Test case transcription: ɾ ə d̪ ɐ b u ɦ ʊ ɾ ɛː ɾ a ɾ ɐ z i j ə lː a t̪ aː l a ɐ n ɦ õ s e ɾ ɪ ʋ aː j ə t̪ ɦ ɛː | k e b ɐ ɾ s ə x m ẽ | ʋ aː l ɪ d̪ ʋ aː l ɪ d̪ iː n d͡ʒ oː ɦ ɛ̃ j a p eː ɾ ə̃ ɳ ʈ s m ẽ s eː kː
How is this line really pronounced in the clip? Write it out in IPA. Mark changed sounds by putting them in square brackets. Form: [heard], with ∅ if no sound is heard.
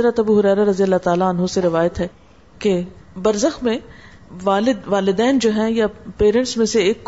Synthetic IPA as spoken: ɾ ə [t̪] ɐ b u ɦ ʊ ɾ ɛː ɾ a ɾ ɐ z i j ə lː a t̪ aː l a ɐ n ɦ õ s e ɾ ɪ ʋ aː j ə t̪ ɦ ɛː | k e b ɐ ɾ [z] ə x m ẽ | ʋ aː l ɪ d̪ ʋ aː l ɪ d̪ [ɛː] n d͡ʒ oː ɦ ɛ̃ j a p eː ɾ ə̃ ɳ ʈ s m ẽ s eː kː